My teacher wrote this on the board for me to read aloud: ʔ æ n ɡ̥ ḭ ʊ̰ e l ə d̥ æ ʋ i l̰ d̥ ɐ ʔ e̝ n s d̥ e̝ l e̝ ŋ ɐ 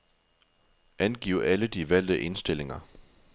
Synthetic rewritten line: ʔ æ n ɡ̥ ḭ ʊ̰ æ l ə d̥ i ʋ æ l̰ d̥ ə ʔ e̝ n s d̥ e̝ l e̝ ŋ ɐ